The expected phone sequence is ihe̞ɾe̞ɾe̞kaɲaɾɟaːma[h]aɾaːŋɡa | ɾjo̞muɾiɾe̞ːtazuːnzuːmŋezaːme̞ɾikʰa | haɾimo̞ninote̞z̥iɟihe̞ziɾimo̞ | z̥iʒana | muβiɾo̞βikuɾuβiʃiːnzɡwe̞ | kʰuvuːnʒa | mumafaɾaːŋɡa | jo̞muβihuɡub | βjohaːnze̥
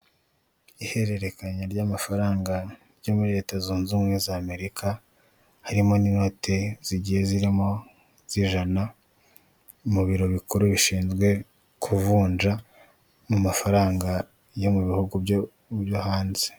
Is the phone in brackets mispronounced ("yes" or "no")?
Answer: yes